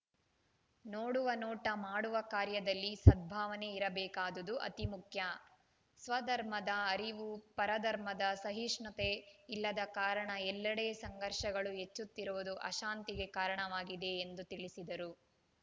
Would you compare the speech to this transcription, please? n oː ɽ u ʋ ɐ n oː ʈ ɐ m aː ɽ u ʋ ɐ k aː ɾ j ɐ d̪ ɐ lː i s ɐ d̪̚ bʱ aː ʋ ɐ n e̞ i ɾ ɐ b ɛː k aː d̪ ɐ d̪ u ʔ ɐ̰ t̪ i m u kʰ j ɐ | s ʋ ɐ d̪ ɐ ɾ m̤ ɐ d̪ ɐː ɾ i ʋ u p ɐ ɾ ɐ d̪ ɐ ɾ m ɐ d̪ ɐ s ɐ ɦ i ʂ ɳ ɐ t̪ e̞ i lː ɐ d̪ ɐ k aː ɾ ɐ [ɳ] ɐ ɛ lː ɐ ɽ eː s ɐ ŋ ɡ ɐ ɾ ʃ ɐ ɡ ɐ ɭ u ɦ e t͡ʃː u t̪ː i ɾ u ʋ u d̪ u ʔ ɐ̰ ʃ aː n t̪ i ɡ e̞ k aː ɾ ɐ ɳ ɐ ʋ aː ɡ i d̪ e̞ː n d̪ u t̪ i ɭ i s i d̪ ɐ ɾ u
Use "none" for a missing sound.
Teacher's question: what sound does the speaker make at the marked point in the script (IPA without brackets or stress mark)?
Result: ɳ